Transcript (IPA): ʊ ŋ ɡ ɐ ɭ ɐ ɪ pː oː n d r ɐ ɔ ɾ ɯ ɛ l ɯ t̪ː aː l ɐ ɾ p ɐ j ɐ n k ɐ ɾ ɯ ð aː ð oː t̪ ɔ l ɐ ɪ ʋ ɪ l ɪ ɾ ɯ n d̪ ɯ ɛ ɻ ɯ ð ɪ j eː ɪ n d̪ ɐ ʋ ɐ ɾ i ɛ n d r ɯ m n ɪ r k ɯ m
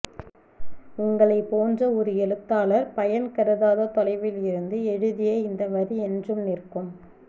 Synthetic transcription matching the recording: ʊ ŋ ɡ ɐ ɭ ɐ ɪ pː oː n d r ɐ ɔ ɾ ɯ ɛ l ɯ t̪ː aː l ɐ ɾ p ɐ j ɐ n k ɐ ɾ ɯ ð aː ð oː t̪ ɔ l ɐ ɪ ʋ ɪ l ɪ ɾ ɯ n d̪ ɯ ɛ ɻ ɯ ð ɪ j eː ɪ n d̪ ɐ ʋ ɐ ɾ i ɛ n d r ɯ m n ɪ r k ɯ m